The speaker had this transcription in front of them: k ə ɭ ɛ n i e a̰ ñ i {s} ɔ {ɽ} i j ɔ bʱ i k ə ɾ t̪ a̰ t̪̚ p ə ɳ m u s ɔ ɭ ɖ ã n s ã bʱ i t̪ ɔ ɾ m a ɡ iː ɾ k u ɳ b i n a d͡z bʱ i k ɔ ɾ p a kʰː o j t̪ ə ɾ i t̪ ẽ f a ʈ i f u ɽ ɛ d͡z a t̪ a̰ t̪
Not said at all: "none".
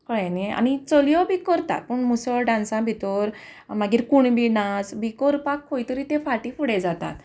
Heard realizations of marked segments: t͡s, l

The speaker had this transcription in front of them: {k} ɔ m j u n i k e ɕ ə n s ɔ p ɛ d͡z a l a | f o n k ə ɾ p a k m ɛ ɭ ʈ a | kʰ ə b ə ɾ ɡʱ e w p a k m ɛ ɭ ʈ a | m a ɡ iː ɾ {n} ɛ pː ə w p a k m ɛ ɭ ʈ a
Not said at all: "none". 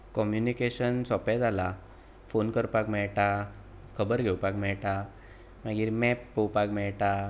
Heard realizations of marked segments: k, m

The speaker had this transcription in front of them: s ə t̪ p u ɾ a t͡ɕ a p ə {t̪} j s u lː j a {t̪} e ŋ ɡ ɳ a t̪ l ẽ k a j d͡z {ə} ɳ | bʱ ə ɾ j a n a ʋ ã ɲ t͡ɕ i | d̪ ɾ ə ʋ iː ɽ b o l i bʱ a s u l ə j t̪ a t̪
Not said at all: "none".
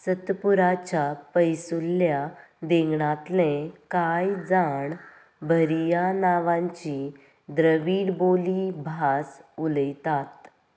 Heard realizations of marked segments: none, d̪, a

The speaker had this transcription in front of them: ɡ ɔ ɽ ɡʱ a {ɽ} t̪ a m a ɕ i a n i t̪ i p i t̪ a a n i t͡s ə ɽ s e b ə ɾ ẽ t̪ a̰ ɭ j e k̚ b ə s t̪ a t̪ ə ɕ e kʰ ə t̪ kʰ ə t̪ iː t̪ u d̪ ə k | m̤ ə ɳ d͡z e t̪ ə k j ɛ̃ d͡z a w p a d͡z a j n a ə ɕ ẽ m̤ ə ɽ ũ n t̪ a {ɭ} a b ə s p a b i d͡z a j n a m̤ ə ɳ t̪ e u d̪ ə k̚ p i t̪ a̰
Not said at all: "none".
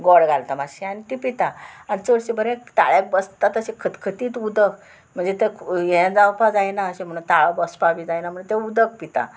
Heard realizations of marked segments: l, ɭ

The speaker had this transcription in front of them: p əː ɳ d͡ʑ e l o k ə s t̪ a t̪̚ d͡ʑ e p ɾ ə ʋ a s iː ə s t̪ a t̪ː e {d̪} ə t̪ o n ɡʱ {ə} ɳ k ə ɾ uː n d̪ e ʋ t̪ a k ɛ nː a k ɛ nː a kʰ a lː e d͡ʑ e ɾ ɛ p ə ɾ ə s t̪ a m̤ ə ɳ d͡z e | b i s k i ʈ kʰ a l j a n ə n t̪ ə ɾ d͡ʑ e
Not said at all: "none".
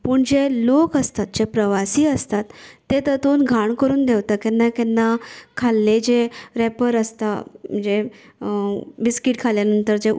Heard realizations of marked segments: t̪, a

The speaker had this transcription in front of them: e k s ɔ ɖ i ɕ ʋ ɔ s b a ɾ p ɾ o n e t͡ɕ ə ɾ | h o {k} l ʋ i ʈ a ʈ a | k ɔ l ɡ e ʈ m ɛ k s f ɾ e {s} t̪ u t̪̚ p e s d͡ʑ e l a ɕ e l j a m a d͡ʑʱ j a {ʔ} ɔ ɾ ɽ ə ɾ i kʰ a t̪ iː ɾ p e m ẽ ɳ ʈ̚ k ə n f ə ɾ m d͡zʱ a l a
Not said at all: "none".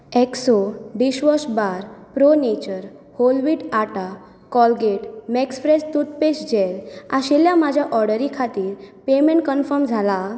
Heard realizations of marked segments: none, s, ʔ

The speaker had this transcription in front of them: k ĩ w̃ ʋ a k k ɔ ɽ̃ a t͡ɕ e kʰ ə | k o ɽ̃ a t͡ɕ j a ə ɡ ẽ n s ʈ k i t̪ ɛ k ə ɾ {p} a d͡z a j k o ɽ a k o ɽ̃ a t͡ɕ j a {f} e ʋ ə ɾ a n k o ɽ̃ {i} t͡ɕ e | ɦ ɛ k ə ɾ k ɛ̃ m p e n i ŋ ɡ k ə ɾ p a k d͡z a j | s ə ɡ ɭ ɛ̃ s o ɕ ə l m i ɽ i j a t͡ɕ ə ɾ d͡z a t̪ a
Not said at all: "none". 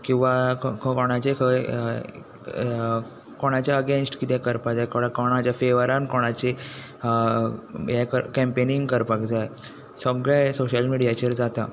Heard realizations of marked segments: p, f, a

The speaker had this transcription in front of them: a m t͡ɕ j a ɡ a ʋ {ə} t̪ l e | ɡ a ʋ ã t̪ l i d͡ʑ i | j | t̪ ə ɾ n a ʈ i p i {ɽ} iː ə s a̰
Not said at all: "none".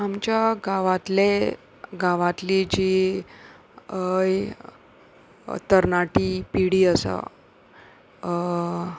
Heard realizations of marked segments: a, ɽ

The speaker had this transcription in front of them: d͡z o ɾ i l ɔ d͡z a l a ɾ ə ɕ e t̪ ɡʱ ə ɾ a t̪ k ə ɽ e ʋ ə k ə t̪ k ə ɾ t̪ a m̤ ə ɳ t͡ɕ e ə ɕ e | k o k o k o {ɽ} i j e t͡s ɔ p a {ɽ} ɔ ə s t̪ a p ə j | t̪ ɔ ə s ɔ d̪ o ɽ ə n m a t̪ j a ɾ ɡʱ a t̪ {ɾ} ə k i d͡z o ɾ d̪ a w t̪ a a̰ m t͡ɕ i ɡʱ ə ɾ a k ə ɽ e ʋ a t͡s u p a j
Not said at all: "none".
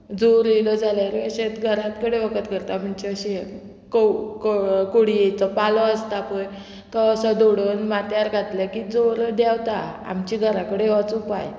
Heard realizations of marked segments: ɽ, l, l

